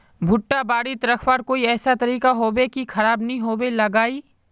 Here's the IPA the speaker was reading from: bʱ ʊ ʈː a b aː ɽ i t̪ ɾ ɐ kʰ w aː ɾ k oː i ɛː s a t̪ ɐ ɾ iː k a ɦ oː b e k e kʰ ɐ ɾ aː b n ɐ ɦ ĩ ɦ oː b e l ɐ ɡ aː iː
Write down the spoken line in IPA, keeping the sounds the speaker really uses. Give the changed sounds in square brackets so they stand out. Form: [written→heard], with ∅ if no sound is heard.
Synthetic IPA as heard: bʱ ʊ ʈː a b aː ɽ i t̪ ɾ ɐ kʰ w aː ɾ k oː i ɛː s a t̪ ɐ ɾ iː k a ɦ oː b e k [e→i] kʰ ɐ ɾ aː b n ɐ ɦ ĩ ɦ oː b e l ɐ ɡ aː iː